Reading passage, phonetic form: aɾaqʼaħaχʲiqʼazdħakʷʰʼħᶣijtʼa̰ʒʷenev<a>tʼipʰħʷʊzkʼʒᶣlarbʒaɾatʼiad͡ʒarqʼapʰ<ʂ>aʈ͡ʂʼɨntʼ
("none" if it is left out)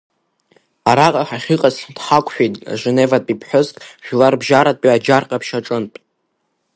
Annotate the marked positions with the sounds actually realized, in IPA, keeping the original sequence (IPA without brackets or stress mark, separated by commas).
a, ʃ